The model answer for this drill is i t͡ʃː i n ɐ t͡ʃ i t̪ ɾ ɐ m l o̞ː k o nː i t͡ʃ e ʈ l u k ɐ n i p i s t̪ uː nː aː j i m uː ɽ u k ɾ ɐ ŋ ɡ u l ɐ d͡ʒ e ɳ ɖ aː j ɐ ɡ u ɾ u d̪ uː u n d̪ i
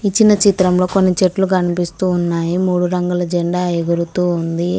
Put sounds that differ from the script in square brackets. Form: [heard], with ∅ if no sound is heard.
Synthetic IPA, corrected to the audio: i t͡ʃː i n ɐ t͡ʃ i t̪ ɾ ɐ m l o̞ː k o nː i t͡ʃ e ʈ l u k ɐ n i p i s t̪ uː nː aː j i m uː ɽ u [∅] ɾ ɐ ŋ ɡ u l ɐ d͡ʒ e ɳ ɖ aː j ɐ ɡ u ɾ u [t̪] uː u n d̪ i

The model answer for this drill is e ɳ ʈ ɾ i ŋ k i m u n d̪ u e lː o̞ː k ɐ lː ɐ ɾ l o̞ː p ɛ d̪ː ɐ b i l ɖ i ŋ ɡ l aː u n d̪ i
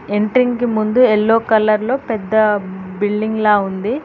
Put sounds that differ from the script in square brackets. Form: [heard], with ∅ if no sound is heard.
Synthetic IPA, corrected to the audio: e ɳ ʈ ɾ i ŋ k i m u n d̪ u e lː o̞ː k ɐ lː ɐ ɾ l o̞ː p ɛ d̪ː ɐ b i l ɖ i ŋ ɡ l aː u n d̪ i

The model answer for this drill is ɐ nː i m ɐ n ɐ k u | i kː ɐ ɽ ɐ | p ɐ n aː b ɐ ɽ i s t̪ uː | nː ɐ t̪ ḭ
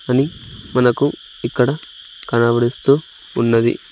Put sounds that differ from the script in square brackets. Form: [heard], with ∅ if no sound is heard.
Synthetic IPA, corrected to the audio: ɐ [n] i m ɐ n ɐ k u | i kː ɐ ɽ ɐ | [k] ɐ n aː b ɐ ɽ i s t̪ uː | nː ɐ [d̪] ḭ

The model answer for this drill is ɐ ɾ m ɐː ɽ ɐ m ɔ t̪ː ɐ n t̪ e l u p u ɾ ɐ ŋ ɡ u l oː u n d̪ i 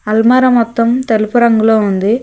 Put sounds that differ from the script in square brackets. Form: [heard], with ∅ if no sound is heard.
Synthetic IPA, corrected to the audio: ɐ [l] m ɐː [ɾ] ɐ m ɔ t̪ː ɐ [m] t̪ e l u p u ɾ ɐ ŋ ɡ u l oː u n d̪ i

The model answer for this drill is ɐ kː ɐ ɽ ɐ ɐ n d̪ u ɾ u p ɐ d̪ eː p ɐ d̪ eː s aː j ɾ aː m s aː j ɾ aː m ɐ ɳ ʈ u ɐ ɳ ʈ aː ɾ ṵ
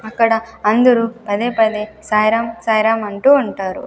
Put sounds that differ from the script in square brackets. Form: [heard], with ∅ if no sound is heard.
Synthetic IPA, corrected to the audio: ɐ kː ɐ ɽ ɐ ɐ n d̪ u ɾ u p ɐ d̪ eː p ɐ d̪ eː s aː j ɾ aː m s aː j ɾ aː m ɐ ɳ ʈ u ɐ ɳ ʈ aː ɾ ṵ

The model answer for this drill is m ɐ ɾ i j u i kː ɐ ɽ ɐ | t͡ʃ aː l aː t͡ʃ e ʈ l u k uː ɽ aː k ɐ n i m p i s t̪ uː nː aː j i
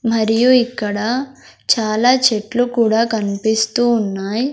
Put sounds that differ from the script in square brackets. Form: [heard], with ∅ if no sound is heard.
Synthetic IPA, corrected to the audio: m ɐ ɾ i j u i kː ɐ ɽ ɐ | t͡ʃ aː l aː t͡ʃ e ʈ l u k uː ɽ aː k ɐ n i [∅] p i s t̪ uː nː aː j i

